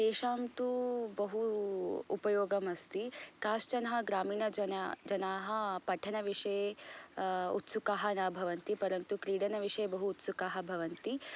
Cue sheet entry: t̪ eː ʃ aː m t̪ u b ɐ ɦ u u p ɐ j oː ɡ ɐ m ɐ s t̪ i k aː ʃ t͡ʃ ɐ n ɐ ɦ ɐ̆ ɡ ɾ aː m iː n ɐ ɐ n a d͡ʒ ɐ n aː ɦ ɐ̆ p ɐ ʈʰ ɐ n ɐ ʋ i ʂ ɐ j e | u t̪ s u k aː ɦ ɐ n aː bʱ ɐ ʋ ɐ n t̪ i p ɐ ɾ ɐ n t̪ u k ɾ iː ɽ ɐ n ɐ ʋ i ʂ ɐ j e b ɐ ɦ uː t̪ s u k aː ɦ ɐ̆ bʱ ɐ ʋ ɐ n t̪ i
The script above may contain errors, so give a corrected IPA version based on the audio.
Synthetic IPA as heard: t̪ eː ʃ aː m t̪ u b ɐ ɦ u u p ɐ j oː ɡ ɐ m ɐ s t̪ i k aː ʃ t͡ʃ ɐ n ɐ ɦ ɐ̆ ɡ ɾ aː m iː n ɐ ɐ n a d͡ʒ ɐ n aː ɦ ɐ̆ p ɐ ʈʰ ɐ n ɐ ʋ i ʂ ɐ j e | u t̪ s u k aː ɦ ɐ n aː bʱ ɐ ʋ ɐ n t̪ i p ɐ ɾ ɐ n t̪ u k ɾ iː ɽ ɐ n ɐ ʋ i ʂ ɐ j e b ɐ ɦ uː t̪ s u k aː ɦ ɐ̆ bʱ ɐ ʋ ɐ n t̪ i